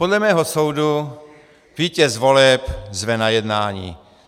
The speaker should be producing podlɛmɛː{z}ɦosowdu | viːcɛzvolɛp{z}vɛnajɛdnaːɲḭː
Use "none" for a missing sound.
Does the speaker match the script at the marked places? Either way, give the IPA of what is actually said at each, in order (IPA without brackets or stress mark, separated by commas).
none, z